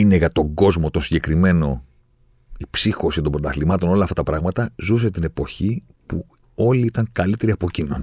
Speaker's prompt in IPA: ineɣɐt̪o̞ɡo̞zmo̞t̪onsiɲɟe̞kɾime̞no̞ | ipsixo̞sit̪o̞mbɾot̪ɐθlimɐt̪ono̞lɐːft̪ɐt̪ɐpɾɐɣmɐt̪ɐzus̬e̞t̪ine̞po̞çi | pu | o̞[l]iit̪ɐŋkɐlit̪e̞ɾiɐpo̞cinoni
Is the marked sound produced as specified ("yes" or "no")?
yes